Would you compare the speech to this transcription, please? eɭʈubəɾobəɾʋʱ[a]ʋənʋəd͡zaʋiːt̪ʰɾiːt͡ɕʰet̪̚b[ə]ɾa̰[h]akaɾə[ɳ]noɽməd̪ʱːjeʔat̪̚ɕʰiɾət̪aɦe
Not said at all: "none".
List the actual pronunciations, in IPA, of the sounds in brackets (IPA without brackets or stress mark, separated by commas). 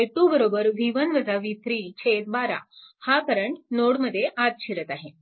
i, a, h, ɳ